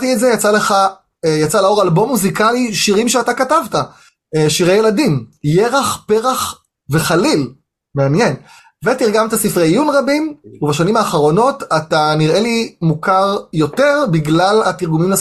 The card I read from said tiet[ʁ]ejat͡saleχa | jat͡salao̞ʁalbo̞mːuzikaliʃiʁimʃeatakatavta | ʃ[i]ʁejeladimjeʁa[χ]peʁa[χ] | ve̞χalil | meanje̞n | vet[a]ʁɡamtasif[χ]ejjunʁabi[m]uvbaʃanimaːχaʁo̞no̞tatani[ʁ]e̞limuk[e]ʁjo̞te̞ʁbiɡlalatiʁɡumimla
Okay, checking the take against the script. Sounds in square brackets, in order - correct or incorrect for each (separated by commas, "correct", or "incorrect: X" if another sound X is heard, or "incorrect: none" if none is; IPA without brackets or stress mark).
incorrect: z, correct, correct, correct, incorrect: i, incorrect: ʁ, correct, correct, incorrect: a